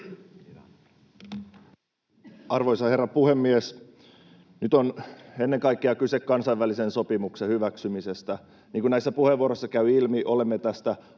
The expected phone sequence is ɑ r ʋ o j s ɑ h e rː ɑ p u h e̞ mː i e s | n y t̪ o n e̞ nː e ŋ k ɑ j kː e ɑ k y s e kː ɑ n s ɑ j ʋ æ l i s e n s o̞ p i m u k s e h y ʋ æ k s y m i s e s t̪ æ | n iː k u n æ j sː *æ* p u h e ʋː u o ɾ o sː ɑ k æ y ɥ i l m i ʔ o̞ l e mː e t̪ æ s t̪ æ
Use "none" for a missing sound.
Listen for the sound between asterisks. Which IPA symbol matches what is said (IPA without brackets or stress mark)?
æ